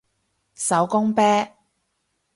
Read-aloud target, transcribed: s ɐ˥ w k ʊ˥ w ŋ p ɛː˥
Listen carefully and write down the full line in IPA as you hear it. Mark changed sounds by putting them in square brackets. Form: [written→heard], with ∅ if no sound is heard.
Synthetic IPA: s [ɐ˥→ɐ˨˥] w k ʊ˥ [w→∅] ŋ p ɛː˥